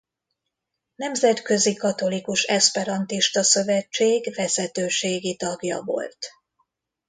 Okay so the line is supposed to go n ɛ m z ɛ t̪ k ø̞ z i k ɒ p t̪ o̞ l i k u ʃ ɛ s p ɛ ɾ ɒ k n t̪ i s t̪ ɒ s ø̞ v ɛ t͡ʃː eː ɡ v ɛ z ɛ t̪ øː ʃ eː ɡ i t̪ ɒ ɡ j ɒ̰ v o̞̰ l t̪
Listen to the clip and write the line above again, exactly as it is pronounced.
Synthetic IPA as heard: n ɛ m z ɛ t̪ k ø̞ z i k ɒ t̪ o̞ l i k u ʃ ɛ s p ɛ ɾ ɒ n t̪ i ʃ t̪ ɒ s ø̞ v ɛ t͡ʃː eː ɡ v ɛ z ɛ t̪ øː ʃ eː ɡ i t̪ ɒ ɡ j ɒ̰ v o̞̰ l t̪